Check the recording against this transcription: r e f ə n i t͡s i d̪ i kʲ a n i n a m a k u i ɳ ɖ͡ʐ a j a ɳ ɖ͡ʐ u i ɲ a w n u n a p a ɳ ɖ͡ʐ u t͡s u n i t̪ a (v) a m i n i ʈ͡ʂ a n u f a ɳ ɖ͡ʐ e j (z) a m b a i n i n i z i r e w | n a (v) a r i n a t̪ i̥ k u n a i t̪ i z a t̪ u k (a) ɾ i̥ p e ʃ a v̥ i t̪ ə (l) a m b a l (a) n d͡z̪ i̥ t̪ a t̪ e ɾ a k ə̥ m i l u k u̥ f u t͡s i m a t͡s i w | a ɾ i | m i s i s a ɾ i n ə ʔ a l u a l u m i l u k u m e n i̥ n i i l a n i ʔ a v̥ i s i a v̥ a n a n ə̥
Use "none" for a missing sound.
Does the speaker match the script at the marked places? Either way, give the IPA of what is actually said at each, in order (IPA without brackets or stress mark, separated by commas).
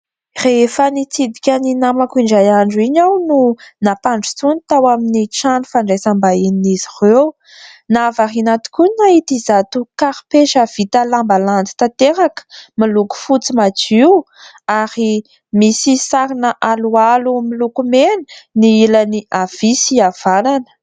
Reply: w, s, v, a, l, a